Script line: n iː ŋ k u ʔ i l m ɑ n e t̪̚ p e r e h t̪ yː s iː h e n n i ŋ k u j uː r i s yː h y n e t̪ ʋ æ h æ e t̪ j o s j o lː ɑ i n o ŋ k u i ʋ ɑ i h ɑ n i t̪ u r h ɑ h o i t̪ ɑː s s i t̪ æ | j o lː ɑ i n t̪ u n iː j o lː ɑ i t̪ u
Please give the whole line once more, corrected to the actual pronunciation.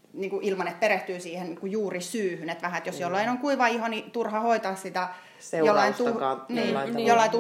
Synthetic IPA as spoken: n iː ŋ k u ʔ i l m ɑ n e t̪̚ p e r e h t̪ yː s iː h e n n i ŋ k u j uː r i s yː h y n e t̪ ʋ æ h æ e t̪ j o s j o lː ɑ i n o ŋ k u i ʋ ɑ i h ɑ n i t̪ u r h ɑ h o i t̪ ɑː s s i t̪ æ | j o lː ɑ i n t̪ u n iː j o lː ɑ i t̪ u